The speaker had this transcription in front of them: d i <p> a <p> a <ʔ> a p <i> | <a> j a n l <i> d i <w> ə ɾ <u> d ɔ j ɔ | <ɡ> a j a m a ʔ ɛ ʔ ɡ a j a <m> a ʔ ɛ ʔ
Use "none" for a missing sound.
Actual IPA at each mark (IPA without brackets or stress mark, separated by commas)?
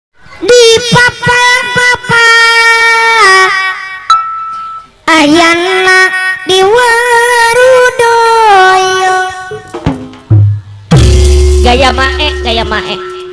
p, p, p, a, a, a, w, u, ɡ, m